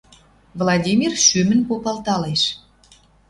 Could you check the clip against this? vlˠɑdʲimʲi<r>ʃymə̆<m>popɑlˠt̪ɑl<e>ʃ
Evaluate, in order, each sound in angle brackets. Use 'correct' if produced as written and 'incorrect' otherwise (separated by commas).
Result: correct, incorrect, correct